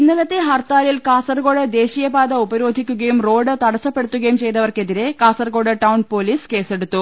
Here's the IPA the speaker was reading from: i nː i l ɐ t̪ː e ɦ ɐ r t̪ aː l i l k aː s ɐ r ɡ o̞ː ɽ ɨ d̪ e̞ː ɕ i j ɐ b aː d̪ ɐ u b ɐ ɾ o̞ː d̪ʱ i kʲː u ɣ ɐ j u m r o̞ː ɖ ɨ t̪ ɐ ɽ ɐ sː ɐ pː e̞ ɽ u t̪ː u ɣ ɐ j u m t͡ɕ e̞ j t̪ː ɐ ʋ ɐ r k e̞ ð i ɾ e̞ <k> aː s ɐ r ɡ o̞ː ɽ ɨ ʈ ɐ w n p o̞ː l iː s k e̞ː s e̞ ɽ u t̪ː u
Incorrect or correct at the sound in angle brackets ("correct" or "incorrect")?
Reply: correct